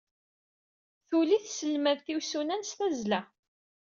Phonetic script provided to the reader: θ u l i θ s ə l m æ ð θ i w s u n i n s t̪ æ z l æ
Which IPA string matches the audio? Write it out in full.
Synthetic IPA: θ u l i θ s ə l m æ ð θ i w s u n æ n s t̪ æ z l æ